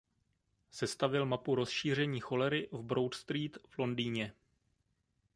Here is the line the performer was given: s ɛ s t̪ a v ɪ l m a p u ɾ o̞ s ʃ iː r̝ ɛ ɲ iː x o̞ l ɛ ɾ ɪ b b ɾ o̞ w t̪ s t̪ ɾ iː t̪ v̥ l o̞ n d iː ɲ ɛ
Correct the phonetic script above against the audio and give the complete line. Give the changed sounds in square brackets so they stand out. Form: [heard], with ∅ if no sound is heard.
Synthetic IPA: s ɛ s t̪ a v ɪ l m a p u ɾ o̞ s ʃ iː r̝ ɛ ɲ iː x o̞ l ɛ ɾ ɪ [v] b ɾ o̞ w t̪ s t̪ ɾ iː t̪ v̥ l o̞ n d iː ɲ ɛ